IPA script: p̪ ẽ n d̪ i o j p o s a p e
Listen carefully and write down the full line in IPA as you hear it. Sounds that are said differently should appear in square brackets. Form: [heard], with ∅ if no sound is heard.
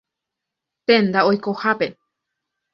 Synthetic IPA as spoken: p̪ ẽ n d̪ [a] o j [k] o [h] a p e